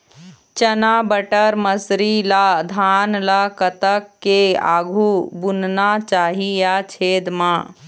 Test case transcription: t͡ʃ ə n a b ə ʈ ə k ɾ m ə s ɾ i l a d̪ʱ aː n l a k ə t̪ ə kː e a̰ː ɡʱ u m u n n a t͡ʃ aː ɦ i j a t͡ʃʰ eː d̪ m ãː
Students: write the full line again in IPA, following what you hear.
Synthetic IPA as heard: t͡ʃ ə n a b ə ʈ ə ɾ m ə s ɾ i l a d̪ʱ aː n l a k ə t̪ ə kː e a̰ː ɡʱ u b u n n a t͡ʃ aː ɦ i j a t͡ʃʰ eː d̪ m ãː